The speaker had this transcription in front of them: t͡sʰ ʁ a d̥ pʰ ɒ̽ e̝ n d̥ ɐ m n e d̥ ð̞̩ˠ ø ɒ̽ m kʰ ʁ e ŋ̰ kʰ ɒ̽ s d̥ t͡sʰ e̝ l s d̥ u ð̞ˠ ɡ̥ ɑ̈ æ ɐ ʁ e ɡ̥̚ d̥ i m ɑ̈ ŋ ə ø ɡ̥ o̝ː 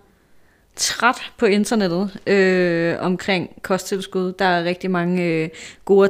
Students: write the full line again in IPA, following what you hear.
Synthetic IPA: t͡sʰ ʁ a d̥ pʰ ɒ̽ e̝ n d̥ ɐ n e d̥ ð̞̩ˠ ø ɒ̽ m kʰ ʁ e ŋ̰ kʰ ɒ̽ s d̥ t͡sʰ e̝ l s ɡ̥ u ð̞ˠ d̥ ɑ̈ æ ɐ ʁ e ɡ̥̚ d̥ i m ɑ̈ ŋ ə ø ɡ̥ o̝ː